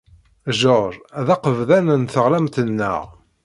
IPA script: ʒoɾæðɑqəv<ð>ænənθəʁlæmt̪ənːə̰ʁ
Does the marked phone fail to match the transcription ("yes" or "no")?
no